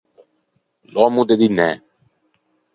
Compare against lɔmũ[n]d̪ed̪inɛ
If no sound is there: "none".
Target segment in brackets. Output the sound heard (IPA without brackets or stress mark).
none